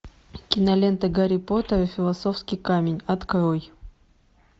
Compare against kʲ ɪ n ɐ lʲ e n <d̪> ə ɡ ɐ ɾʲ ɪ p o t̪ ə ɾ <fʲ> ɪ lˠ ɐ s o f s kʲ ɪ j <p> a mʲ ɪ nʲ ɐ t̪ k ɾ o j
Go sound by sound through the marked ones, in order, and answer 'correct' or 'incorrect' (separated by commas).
incorrect, correct, incorrect